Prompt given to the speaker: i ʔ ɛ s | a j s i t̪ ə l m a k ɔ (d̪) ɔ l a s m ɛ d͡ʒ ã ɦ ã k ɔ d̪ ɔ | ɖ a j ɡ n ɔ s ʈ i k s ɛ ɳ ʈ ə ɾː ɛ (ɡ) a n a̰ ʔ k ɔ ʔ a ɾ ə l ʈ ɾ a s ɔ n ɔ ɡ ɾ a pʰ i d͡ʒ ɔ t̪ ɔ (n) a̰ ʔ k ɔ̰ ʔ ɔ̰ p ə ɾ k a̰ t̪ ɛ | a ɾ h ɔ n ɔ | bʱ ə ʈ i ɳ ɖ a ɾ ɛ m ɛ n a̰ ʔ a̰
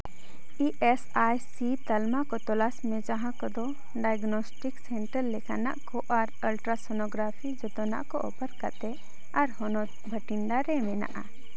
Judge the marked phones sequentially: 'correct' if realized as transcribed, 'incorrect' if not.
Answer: incorrect: t̪, incorrect: k, correct

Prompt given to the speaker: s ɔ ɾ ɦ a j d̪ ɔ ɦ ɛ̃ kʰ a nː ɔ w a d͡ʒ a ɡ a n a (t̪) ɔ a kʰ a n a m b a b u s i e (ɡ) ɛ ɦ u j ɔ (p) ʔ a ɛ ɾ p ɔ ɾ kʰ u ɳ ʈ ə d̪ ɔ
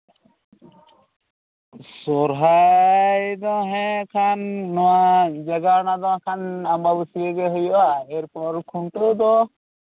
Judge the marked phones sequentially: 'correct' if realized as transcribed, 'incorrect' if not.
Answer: incorrect: d̪, correct, incorrect: none

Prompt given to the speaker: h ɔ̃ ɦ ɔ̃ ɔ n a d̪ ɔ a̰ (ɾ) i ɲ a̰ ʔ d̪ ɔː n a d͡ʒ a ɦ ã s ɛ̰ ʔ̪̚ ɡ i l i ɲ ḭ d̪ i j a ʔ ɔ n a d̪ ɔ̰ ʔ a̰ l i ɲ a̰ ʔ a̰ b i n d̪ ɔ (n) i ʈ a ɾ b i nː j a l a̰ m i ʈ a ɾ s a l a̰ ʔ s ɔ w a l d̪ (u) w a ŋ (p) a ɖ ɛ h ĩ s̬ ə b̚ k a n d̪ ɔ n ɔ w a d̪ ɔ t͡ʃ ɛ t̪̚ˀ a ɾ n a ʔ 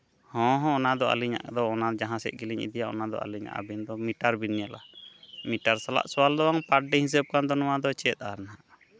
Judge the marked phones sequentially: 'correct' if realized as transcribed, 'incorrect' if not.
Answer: incorrect: l, incorrect: m, incorrect: ɔ, correct

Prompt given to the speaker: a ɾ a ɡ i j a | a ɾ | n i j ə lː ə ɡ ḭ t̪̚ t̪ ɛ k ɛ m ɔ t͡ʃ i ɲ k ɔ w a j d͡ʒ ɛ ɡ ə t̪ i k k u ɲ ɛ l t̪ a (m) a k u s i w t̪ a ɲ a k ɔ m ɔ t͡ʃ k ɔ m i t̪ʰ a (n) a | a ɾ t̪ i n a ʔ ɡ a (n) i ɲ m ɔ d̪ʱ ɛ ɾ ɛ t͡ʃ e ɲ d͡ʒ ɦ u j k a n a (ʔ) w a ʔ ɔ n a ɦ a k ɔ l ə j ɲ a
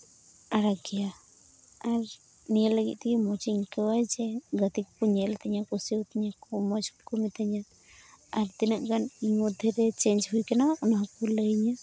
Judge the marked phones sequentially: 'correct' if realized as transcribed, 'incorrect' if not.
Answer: incorrect: ɲ, incorrect: ɲ, correct, incorrect: none

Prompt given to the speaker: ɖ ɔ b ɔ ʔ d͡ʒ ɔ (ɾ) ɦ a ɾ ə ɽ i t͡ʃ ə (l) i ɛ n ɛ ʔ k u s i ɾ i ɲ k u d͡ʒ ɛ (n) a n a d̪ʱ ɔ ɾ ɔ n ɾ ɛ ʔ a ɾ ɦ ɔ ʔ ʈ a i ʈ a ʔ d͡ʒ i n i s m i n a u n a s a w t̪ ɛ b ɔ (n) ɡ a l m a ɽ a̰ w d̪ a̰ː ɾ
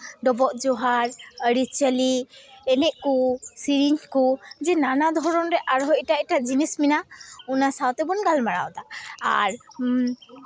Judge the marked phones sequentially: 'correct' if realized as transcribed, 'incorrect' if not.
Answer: incorrect: none, correct, correct, correct

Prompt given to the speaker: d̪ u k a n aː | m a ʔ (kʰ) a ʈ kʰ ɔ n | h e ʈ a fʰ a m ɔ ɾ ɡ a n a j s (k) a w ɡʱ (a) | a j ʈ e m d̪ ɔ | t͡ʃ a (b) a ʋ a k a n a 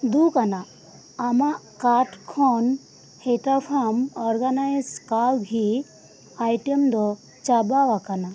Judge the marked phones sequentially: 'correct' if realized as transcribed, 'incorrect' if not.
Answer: incorrect: k, correct, incorrect: i, correct

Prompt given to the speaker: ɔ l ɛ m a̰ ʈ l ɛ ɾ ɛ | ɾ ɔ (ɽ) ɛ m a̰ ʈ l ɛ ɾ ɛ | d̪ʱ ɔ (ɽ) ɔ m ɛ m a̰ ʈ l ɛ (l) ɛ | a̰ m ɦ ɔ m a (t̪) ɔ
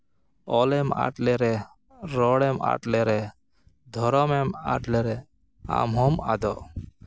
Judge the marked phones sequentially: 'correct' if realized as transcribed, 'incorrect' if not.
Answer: correct, incorrect: ɾ, incorrect: ɾ, incorrect: d̪

